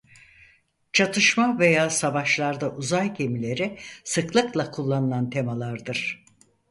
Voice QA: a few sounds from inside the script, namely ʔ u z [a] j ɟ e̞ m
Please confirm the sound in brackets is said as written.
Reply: yes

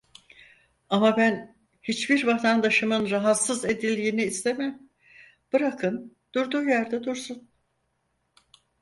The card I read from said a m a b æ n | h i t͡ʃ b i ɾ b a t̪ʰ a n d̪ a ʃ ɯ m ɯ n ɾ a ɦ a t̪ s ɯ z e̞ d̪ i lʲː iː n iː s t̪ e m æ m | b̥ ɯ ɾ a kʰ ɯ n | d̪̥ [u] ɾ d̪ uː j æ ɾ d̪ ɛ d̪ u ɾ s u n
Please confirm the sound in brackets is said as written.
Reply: yes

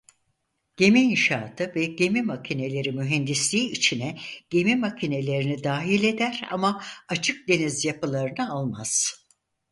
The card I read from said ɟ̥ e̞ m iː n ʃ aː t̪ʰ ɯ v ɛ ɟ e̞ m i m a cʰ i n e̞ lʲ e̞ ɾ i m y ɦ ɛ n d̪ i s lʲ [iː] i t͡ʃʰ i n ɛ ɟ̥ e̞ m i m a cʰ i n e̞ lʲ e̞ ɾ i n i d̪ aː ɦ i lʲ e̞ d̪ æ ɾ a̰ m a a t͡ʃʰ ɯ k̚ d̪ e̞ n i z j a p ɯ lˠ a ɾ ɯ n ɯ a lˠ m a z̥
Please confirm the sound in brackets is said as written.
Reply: yes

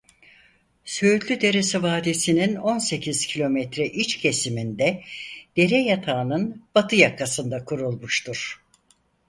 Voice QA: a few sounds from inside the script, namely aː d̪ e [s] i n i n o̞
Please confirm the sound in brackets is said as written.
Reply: yes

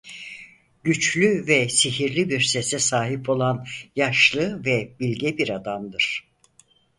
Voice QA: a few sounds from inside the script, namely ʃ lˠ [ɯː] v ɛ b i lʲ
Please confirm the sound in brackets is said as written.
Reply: no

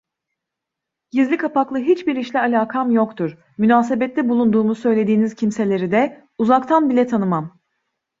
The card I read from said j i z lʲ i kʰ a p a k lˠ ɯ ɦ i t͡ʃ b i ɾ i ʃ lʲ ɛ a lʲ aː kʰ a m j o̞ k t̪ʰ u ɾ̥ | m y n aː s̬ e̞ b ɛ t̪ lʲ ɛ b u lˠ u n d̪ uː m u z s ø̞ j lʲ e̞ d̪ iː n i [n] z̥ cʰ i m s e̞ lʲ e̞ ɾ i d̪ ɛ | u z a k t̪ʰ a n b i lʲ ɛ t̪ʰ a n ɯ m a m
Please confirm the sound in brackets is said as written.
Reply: no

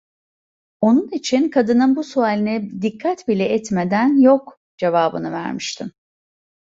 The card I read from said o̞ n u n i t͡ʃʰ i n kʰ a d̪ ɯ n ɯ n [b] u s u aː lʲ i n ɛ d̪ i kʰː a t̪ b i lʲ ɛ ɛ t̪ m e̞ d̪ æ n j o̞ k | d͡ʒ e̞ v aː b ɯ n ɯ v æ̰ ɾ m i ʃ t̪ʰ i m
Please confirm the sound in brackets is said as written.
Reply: yes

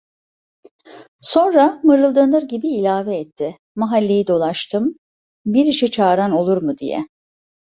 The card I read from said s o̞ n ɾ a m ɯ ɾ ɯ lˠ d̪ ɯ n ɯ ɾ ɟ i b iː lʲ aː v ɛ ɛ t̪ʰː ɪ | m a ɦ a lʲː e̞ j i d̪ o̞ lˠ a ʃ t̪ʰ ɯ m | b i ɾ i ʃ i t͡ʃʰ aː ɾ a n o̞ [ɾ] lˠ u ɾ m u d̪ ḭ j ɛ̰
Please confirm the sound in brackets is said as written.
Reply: no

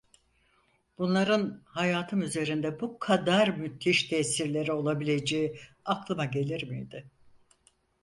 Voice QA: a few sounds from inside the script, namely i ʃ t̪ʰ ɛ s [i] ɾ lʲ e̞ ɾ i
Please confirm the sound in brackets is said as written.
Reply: yes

